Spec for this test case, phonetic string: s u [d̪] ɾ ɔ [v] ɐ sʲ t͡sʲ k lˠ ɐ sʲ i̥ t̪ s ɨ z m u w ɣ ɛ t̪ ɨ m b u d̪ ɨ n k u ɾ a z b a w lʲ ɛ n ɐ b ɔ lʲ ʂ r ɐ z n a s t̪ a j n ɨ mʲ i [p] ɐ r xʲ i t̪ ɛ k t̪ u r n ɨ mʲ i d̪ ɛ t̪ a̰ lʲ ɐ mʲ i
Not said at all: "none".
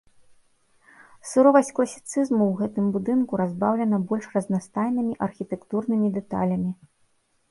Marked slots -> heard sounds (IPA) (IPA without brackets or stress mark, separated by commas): none, v, ʔ